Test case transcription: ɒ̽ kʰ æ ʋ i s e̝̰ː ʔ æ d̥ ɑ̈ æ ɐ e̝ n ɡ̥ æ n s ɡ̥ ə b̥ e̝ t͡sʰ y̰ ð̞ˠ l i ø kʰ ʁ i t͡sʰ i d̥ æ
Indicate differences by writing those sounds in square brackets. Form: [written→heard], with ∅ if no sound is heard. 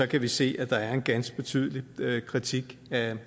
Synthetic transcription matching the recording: ɒ̽ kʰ æ ʋ i s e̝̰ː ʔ æ d̥ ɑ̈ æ ɐ e̝ n ɡ̥ æ n s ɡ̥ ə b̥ e̝ t͡sʰ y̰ ð̞ˠ l i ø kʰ ʁ i t͡sʰ i [d̥→ɡ̥] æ